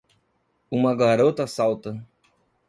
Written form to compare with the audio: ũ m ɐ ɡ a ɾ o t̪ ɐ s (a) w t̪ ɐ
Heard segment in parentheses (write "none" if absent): a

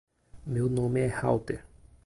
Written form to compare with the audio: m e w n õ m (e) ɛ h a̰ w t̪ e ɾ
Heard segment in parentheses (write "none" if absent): e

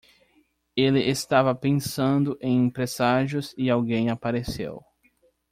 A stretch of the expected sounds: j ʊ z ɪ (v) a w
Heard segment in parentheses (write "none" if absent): none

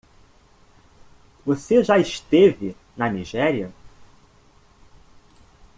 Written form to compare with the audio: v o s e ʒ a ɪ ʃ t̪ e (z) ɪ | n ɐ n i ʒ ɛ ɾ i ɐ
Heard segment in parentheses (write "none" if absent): v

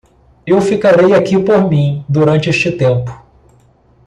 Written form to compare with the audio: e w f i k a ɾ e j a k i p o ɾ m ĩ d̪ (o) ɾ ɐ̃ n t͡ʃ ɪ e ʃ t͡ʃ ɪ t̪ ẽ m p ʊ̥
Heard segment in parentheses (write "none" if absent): u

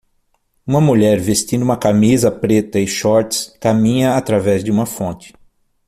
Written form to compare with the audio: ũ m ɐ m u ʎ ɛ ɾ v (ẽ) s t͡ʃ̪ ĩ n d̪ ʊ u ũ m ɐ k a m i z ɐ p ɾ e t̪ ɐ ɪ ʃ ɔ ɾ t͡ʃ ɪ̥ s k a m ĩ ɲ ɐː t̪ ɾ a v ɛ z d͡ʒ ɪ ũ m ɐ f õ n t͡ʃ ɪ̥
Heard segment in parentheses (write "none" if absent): e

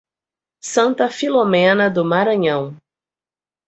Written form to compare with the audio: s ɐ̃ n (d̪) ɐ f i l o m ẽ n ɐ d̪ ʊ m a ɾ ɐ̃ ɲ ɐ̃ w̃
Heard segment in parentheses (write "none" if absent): t̪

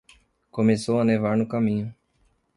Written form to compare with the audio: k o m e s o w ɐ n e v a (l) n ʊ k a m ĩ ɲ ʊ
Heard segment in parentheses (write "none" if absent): ɾ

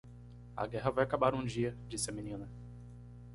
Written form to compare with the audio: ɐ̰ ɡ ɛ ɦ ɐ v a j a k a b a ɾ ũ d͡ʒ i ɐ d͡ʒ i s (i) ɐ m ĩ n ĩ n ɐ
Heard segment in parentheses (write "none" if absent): ɪ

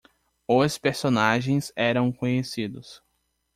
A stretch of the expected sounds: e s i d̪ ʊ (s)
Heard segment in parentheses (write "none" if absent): s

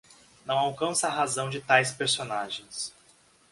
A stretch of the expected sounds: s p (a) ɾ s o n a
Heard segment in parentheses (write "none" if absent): e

